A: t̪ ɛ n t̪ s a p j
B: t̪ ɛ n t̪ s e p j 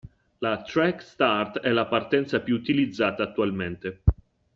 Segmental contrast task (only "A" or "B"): A